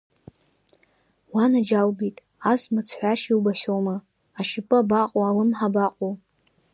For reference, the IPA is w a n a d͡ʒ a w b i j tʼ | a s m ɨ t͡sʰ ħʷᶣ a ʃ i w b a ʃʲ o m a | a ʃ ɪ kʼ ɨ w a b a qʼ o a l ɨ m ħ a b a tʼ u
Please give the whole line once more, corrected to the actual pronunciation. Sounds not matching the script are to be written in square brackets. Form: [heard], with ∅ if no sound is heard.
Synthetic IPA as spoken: w a n a d͡ʒ a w b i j tʼ | a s m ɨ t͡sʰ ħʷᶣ a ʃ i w b a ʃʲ o m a | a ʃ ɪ [pʼ] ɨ [∅] a b a qʼ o a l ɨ m ħ a b a [qʼ] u